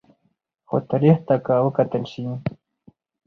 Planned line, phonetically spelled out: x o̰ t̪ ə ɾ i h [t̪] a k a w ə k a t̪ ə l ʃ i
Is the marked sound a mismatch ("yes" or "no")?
no